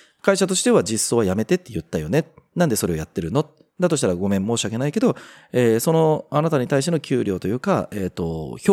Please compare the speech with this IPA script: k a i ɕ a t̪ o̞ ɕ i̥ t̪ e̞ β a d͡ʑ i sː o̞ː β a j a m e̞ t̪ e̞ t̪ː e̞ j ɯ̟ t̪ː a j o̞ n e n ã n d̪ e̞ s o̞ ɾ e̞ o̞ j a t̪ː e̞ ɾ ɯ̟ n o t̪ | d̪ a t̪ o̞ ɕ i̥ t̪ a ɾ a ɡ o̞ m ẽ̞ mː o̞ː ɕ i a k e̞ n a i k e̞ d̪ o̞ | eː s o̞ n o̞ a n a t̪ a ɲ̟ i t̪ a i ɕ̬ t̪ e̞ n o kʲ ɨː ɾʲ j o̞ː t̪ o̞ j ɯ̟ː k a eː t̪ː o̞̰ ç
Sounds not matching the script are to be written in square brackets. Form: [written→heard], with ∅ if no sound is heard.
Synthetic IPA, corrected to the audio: k a i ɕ a t̪ o̞ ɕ i̥ t̪ e̞ β a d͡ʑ i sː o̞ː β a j a m e̞ t̪ e̞ t̪ː e̞ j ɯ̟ t̪ː a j o̞ n e n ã n d̪ e̞ s o̞ ɾ e̞ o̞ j a t̪ː e̞ ɾ ɯ̟ n o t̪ | d̪ a t̪ o̞ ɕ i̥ t̪ a ɾ a ɡ o̞ m ẽ̞ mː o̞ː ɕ i a k e̞ n a i k e̞ d̪ o̞ | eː s o̞ n o̞ a n a t̪ a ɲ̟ i t̪ a i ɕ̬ t̪ e̞ n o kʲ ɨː ɾʲ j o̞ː t̪ o̞ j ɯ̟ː k a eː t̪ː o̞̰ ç